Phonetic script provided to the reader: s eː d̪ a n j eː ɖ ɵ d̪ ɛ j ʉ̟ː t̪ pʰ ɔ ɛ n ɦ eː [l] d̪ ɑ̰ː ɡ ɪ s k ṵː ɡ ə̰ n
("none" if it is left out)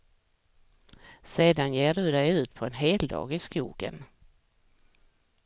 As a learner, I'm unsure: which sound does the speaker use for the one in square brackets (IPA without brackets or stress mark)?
l